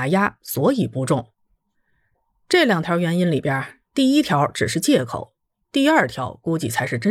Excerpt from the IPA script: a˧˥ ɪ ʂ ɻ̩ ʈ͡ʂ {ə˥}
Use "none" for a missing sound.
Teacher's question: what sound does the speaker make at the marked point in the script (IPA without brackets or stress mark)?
ə˥